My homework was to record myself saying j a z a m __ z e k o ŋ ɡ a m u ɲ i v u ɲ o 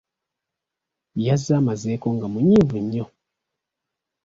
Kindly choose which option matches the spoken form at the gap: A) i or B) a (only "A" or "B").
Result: B